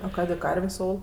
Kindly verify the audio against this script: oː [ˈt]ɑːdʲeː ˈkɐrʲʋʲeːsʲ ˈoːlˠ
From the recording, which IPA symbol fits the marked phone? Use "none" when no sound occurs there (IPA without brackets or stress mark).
k